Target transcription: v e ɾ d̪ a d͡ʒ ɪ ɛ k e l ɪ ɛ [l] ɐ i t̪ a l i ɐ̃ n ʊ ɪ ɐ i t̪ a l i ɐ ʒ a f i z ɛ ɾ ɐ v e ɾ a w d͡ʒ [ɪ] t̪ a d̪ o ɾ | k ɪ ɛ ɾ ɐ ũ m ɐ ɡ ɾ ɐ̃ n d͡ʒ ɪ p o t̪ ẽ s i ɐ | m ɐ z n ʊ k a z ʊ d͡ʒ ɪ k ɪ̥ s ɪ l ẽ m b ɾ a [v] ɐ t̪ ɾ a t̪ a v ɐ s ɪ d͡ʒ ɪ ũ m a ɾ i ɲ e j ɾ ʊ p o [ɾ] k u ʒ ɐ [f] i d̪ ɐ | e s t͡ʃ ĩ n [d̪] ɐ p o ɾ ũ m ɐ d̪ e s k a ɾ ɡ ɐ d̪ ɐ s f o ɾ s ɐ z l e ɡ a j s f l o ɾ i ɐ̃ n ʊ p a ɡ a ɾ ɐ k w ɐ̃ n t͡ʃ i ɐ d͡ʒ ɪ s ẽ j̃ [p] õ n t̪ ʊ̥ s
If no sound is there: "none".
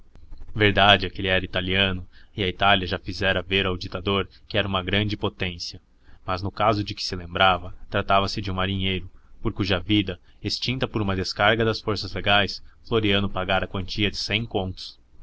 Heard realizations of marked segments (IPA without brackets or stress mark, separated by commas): ɾ, i, v, ɾ, v, t̪, k